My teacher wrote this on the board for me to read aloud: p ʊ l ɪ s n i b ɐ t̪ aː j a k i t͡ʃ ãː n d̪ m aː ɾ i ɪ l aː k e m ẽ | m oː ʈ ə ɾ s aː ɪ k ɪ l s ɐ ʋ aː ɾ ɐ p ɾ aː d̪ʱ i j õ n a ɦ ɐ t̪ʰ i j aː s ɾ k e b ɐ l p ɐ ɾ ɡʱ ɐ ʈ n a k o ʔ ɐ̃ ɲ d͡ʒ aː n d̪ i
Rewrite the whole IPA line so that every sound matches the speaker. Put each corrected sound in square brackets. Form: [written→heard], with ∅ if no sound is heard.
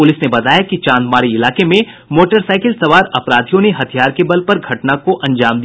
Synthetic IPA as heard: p ʊ l ɪ s n [i→e] b ɐ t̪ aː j a k i t͡ʃ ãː n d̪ m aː ɾ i ɪ l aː k e m ẽ | m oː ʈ ə ɾ s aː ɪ k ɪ l s ɐ ʋ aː ɾ ɐ p ɾ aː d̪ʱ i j õ n [a→e] ɦ ɐ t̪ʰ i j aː [s→∅] ɾ k e b ɐ l p ɐ ɾ ɡʱ ɐ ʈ n a k o ʔ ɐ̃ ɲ d͡ʒ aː [n→m] d̪ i